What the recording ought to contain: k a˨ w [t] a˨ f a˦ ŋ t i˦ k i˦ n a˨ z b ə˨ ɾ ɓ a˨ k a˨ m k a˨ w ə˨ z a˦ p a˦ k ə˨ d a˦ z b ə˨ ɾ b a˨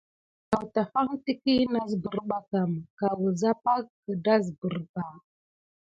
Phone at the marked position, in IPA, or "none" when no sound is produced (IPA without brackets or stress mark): t